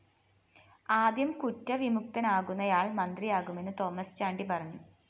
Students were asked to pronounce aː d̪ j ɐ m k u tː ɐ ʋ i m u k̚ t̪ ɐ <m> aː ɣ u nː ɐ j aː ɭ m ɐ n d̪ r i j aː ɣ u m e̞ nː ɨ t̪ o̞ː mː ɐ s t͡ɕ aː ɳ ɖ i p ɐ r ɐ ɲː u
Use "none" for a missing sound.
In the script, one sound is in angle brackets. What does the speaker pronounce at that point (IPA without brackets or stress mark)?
n